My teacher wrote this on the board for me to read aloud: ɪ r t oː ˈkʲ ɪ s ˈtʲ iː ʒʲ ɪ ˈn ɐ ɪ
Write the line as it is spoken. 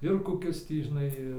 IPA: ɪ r k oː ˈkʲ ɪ s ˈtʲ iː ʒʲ ɪ ˈn ɐ ɪ